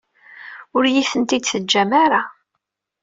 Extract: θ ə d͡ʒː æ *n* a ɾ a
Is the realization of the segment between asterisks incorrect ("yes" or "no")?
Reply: yes